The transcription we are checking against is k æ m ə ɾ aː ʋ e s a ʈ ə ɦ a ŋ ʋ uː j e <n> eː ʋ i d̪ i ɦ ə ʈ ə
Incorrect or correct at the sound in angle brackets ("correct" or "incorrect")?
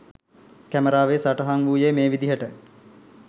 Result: incorrect